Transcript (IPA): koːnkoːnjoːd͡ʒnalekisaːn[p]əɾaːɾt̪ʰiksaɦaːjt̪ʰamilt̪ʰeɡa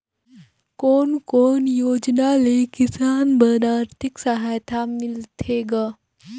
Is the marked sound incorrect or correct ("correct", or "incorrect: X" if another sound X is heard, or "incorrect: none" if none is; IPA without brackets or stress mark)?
incorrect: b